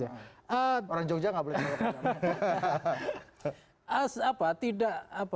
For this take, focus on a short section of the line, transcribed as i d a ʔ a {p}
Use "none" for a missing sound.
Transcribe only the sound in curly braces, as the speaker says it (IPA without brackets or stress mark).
p